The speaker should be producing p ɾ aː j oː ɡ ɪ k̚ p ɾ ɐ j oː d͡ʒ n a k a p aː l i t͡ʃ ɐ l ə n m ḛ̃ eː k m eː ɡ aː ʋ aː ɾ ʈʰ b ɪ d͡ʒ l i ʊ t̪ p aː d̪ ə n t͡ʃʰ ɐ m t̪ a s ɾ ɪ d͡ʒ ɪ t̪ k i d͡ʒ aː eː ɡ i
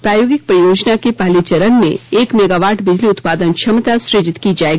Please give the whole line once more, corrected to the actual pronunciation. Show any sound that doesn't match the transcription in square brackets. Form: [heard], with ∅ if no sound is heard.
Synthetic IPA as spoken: p ɾ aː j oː ɡ ɪ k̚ p ɾ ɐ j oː d͡ʒ n a k [e] p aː l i t͡ʃ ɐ [ɾ] ə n m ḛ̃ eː k m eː ɡ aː ʋ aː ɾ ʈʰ b ɪ d͡ʒ l i ʊ t̪ p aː d̪ ə n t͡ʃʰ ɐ m t̪ a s ɾ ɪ d͡ʒ ɪ t̪ k i d͡ʒ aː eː ɡ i

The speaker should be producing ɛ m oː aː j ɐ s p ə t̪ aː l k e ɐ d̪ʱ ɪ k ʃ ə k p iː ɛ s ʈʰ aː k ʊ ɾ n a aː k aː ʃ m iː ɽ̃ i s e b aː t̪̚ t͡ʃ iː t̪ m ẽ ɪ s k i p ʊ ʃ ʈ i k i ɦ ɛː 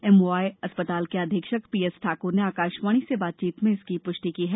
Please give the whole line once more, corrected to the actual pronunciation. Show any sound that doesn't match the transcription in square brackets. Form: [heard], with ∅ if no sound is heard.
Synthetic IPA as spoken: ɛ m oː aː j ɐ s p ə t̪ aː l k e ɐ d̪ʱ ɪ k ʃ ə k p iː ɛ s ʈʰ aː k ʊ ɾ n [e] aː k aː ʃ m [aː] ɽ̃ i s e b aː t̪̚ t͡ʃ iː t̪ m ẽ ɪ s k i p ʊ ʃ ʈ i k i ɦ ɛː

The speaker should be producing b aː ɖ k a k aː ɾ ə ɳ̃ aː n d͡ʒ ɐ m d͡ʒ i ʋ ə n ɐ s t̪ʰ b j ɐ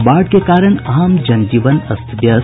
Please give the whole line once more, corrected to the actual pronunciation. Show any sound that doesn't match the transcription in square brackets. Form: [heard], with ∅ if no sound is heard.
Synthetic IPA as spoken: b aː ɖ k [e] k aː ɾ ə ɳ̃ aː [m] d͡ʒ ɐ [n] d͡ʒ i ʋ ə n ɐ s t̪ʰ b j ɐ

